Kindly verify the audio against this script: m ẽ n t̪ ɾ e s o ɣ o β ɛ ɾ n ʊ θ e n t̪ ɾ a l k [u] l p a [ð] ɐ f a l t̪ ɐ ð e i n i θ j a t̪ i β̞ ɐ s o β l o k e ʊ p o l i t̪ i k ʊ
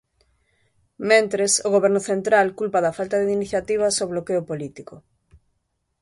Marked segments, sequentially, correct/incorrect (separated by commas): correct, correct